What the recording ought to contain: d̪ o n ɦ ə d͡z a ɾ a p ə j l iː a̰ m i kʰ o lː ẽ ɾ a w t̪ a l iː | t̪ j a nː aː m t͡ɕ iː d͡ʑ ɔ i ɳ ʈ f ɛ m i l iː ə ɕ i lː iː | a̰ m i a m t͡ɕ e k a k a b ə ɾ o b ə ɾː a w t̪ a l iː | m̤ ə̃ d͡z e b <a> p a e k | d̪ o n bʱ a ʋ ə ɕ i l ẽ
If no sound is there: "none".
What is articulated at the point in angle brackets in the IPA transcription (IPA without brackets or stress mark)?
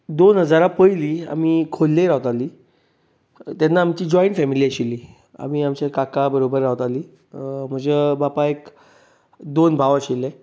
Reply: a